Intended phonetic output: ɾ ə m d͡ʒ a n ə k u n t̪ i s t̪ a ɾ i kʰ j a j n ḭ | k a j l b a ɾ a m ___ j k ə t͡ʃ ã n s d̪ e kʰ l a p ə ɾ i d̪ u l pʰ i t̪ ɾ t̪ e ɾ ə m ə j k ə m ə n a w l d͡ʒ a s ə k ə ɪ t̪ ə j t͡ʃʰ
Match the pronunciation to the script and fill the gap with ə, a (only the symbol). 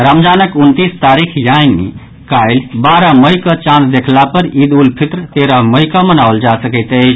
ə